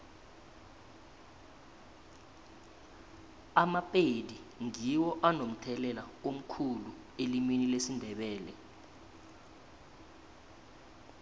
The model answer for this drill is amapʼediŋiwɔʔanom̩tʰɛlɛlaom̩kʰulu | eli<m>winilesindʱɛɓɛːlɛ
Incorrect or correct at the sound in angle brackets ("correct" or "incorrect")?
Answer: correct